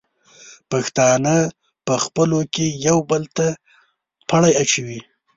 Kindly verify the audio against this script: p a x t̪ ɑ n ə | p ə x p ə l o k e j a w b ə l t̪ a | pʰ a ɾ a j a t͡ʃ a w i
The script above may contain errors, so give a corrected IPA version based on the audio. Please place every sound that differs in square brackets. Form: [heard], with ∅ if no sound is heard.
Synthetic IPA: p a x t̪ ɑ n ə | p ə x p ə l o k e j a w b ə l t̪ a | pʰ a [ɽ] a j a t͡ʃ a w i